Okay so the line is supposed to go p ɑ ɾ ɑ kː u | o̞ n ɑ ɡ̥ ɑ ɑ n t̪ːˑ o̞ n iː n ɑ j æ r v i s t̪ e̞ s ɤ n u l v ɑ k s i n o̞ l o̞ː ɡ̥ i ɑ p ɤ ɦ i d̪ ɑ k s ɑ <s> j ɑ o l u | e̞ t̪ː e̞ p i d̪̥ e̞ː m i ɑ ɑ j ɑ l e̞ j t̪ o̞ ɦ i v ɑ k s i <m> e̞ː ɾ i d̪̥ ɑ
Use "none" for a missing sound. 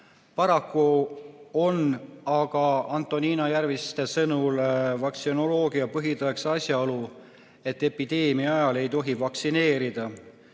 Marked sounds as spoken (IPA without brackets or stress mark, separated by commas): s, n